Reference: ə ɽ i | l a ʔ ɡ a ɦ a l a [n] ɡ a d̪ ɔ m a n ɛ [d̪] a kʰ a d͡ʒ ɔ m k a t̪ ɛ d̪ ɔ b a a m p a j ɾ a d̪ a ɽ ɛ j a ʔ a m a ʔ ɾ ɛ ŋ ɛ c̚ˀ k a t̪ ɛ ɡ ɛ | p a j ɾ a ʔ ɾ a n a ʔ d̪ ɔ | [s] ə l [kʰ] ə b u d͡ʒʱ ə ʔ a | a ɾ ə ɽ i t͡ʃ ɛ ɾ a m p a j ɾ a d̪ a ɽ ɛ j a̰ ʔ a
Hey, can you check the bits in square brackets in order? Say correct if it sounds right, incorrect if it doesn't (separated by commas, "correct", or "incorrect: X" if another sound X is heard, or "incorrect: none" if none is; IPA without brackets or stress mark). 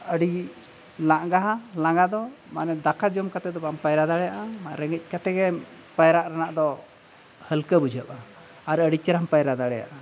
incorrect: ŋ, correct, incorrect: h, incorrect: k